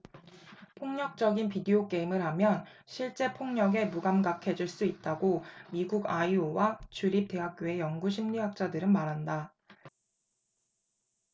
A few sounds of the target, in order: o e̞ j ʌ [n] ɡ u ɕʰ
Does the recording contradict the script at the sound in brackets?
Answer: yes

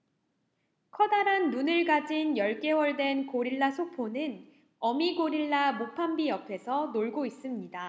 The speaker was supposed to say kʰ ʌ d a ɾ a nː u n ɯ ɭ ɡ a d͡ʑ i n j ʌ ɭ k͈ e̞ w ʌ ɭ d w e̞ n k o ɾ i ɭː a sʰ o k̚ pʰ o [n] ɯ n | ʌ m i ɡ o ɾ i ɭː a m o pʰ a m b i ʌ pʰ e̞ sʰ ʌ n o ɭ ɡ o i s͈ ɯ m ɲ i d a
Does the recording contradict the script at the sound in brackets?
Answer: no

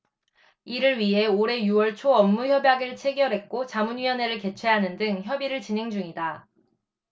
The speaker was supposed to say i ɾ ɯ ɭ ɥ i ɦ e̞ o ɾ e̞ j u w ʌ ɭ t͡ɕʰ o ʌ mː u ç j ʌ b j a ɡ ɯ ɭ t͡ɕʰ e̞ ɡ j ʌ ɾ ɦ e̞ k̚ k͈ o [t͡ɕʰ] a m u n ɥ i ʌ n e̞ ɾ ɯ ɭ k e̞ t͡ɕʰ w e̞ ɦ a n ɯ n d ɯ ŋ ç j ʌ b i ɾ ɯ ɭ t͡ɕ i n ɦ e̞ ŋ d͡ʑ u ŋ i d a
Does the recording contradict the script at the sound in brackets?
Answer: yes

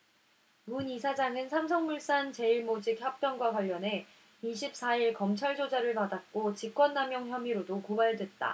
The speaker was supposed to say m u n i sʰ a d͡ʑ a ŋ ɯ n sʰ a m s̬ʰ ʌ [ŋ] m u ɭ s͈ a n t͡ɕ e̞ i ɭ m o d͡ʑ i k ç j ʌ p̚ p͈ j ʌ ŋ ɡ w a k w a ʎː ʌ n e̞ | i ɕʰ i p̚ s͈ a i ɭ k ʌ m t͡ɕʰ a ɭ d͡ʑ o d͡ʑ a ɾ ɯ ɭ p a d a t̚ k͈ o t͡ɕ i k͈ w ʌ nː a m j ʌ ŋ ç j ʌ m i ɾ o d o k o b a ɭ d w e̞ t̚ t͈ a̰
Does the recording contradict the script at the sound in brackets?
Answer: no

